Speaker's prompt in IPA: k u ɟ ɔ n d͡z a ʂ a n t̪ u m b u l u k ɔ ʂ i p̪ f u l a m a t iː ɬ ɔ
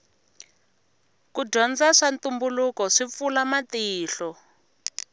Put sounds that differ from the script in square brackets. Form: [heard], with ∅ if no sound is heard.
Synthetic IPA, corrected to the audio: k u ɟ ɔ n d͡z a ʂ a n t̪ u m b u l u k ɔ ʂ i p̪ f u l a m a t iː ɬ ɔ